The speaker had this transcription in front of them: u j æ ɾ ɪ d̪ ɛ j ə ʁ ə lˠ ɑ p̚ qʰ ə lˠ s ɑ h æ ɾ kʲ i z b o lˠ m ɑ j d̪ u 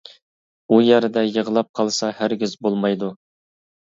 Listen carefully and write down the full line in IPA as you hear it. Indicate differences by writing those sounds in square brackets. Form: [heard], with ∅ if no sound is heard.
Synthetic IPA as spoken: u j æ ɾ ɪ d̪ ɛ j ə ʁ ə lˠ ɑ p̚ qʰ [ɑ] lˠ s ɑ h æ ɾ [ɡʲ] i z b o lˠ m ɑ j d̪ u